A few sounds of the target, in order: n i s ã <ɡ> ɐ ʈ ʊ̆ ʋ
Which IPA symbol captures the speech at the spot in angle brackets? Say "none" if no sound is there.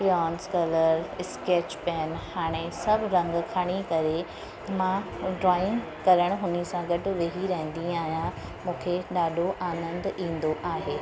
ɡ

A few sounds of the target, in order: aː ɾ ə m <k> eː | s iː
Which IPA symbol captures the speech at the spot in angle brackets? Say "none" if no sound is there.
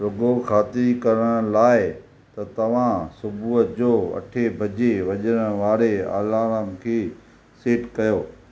kʰ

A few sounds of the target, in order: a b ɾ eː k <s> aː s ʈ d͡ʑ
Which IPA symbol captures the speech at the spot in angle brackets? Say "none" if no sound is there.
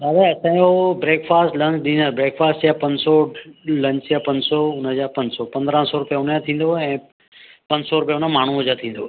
f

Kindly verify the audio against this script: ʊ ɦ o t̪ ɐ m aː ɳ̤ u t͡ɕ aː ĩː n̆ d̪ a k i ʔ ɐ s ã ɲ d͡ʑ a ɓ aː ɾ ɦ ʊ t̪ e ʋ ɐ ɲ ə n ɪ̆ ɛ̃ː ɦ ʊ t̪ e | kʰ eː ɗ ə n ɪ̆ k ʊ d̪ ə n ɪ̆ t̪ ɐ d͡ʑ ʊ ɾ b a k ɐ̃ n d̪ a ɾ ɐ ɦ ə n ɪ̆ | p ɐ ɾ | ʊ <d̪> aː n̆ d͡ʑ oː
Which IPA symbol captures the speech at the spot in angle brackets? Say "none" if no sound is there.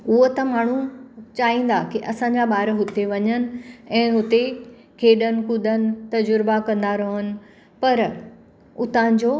t̪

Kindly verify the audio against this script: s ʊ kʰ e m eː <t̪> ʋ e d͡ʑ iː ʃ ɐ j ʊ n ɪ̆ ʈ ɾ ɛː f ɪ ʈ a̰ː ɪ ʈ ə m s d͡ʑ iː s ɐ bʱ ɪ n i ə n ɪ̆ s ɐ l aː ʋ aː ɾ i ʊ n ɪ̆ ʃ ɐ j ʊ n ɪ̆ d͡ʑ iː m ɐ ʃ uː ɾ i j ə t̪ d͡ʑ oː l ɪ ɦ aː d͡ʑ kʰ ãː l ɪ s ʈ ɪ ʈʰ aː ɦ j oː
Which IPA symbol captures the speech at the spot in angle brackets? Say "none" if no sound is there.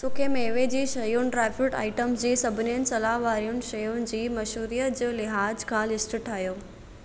none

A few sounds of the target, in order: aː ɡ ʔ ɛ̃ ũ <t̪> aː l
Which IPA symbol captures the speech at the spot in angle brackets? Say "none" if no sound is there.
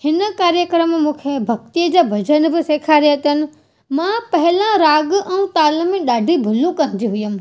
t̪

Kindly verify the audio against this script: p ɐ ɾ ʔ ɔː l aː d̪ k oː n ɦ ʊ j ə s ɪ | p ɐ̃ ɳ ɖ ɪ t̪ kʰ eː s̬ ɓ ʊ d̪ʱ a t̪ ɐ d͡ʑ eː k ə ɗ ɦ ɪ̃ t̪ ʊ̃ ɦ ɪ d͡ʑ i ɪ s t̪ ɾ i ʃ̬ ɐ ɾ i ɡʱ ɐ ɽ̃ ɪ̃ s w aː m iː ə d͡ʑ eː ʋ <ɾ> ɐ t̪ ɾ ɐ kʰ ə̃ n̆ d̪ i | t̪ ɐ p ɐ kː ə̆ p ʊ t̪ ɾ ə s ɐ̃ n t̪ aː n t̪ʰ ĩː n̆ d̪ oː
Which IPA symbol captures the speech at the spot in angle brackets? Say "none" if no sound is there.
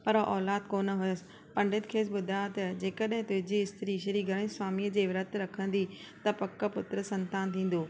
ɾ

